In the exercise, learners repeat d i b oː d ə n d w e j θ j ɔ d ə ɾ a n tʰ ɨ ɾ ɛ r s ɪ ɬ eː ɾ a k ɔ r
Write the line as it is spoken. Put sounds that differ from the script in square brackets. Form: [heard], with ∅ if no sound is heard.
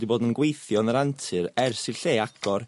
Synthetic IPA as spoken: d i b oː d ə n [ɡ] w e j θ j ɔ [n] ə ɾ a n tʰ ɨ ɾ ɛ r s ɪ ɬ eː [∅] a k ɔ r